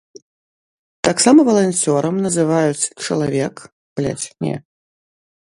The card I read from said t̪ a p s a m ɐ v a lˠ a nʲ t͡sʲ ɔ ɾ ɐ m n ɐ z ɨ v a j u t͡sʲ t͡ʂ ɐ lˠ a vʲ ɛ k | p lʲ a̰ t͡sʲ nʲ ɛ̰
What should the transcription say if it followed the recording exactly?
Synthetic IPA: t̪ a k s a m ɐ v ɐ lˠ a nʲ t͡sʲ ɔ ɾ ɐ m n ɐ z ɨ v a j u t͡sʲ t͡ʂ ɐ lˠ a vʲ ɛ k | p lʲ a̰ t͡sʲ nʲ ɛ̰